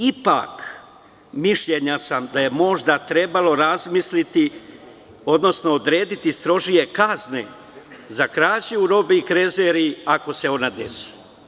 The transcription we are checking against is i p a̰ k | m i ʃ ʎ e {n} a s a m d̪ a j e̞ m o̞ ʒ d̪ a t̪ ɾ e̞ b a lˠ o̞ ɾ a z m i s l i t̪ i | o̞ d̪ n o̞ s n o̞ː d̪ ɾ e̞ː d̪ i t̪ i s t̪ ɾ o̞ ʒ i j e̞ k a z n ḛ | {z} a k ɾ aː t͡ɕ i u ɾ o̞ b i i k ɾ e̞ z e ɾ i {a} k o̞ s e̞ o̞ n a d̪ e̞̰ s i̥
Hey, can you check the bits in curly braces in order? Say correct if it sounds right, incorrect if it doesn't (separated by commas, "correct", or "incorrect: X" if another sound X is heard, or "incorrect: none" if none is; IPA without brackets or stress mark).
incorrect: ɲ, correct, correct